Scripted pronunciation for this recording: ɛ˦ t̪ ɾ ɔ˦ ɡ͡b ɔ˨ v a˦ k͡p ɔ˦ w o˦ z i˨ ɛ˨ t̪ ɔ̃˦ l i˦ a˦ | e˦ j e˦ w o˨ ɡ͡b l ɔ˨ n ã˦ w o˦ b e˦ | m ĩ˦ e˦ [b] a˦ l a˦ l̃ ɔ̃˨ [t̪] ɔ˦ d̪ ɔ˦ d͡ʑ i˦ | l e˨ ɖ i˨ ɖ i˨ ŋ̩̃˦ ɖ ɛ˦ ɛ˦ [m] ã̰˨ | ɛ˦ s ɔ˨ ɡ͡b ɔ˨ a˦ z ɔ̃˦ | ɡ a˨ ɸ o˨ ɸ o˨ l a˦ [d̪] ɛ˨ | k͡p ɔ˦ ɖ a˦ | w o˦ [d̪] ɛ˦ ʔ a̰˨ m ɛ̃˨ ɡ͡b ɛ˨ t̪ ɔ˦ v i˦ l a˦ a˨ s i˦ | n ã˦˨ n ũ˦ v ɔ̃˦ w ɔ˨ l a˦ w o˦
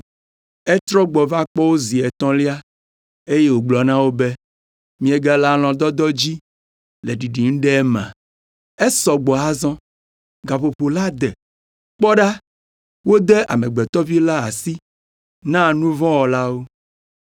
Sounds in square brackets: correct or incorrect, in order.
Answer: incorrect: ɡ, incorrect: d̪, correct, correct, correct

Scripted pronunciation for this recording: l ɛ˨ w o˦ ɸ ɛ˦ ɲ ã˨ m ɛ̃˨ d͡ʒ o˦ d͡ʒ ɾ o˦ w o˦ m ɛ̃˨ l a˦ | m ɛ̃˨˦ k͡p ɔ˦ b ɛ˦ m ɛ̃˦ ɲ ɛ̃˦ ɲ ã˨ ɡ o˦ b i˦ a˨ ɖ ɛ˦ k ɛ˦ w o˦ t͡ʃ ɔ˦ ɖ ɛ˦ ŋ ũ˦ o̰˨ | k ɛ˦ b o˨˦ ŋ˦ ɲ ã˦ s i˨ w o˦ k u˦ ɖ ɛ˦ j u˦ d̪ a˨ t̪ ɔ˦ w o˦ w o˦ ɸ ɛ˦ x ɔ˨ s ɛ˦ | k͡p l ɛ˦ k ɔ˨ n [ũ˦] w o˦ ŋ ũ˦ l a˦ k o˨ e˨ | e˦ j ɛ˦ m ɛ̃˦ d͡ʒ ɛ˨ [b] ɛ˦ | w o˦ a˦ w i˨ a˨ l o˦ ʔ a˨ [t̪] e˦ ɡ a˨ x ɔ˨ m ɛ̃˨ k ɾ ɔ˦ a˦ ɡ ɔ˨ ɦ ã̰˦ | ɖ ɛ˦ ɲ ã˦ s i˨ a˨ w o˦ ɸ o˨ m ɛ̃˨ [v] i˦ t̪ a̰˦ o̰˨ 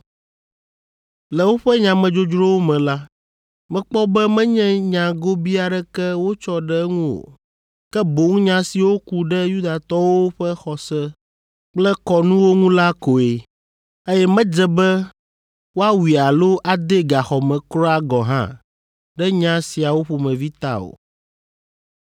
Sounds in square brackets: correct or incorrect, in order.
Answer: correct, correct, incorrect: d̪, correct

